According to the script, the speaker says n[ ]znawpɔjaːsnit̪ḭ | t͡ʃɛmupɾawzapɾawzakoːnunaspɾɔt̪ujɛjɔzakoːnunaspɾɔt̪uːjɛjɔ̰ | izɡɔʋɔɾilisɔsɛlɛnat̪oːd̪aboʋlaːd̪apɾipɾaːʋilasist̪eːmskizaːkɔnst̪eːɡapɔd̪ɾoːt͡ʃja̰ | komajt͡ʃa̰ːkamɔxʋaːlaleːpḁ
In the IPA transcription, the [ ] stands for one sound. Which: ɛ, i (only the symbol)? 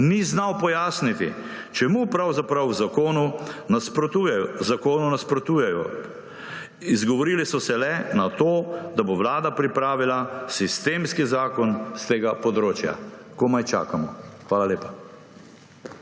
i